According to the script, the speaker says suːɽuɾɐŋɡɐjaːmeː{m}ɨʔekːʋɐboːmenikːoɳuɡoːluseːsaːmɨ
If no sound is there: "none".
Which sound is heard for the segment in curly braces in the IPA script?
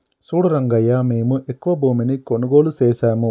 m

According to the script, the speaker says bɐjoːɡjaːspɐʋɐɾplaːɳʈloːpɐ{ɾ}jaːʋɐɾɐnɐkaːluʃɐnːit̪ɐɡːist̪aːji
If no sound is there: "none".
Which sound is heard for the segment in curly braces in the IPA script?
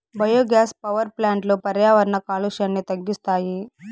ɾ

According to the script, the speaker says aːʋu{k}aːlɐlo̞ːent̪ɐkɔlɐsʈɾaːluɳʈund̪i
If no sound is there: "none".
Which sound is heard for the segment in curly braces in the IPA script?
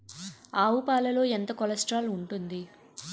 p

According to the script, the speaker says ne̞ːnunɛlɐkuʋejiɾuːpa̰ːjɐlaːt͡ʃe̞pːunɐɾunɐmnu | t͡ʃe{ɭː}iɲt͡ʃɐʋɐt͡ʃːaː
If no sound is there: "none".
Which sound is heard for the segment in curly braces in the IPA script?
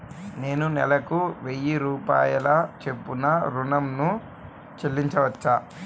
lː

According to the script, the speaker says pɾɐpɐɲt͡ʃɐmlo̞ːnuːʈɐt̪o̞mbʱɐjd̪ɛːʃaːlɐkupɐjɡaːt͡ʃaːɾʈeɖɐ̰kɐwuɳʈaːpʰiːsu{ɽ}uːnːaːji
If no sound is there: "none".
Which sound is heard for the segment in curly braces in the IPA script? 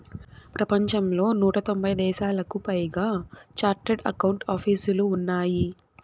l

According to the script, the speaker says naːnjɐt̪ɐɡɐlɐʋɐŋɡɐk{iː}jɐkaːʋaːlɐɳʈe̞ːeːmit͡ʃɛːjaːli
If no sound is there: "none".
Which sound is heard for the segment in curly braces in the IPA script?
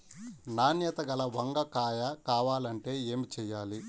aː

